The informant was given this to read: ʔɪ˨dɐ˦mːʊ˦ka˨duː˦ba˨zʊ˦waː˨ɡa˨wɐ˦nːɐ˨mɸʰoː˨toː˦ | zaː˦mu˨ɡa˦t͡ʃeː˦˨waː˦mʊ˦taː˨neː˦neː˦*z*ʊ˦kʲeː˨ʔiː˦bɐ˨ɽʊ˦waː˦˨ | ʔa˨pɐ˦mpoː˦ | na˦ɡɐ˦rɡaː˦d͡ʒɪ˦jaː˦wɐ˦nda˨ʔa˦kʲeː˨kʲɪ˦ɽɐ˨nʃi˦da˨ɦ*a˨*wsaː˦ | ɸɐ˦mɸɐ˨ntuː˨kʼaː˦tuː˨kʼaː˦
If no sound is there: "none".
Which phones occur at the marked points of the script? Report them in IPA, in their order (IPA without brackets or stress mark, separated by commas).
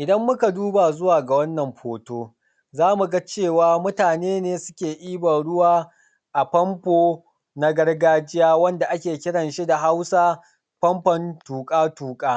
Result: s, a˦